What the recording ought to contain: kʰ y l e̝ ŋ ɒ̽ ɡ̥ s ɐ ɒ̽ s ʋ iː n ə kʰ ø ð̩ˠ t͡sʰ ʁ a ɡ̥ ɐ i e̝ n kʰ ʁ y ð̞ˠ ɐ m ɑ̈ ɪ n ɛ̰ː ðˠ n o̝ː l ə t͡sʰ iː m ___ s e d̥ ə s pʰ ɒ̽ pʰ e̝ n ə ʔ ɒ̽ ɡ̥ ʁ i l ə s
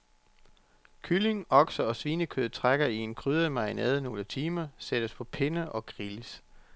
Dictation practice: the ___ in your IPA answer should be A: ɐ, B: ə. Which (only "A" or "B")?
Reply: A